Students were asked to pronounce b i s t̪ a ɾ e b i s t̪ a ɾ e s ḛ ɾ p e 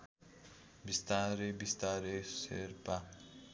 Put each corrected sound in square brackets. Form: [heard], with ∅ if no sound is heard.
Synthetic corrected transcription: b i s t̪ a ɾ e b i s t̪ a ɾ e s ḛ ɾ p [a]